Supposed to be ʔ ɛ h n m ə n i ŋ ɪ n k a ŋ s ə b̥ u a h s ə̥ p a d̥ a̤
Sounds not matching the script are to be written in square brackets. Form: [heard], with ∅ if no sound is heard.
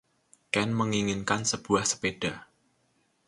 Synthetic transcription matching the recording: [k] ɛ [∅] n m ə [ŋ] i ŋ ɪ n k a [n] s ə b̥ u a h s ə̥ p [e] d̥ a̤